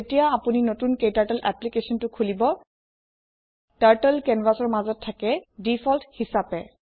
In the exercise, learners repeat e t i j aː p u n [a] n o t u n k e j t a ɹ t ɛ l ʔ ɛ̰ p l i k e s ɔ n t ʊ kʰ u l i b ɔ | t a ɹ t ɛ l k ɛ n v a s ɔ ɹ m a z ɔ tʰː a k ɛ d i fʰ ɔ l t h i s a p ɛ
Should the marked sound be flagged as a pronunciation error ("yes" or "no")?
yes